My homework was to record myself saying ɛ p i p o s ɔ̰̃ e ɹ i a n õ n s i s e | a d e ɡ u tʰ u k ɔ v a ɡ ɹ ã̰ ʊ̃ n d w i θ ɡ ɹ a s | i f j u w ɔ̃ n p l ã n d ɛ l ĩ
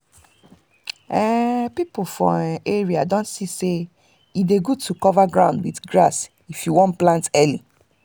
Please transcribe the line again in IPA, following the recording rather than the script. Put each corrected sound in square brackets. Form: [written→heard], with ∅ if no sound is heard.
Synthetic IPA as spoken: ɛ p i p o [s→f] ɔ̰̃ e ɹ i a [n→d] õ n s i s e | [a→i] d e ɡ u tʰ u k ɔ v a ɡ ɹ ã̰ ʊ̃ n d w i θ ɡ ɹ a s | i f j u w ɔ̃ n p l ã n [d→t] ɛ l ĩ